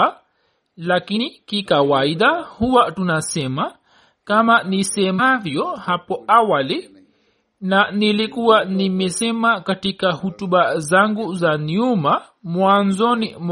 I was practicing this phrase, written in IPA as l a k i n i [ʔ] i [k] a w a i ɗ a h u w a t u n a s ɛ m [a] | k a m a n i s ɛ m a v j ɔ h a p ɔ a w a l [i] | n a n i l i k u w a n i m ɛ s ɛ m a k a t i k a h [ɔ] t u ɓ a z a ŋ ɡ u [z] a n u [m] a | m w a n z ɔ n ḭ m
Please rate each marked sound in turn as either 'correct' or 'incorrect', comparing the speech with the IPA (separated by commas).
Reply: incorrect, correct, correct, correct, incorrect, correct, correct